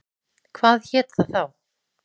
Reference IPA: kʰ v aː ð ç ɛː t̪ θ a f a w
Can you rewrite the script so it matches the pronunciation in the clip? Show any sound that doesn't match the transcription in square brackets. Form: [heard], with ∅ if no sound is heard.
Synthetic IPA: kʰ v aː ð ç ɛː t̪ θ a [θ] a w